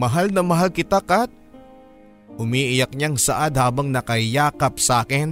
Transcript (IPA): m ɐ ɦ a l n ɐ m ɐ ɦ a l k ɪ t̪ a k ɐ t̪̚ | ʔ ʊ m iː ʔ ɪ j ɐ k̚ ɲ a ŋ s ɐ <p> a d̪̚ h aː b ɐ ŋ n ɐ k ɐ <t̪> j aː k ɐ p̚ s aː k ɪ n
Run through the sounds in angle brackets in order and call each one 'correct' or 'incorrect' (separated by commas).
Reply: incorrect, incorrect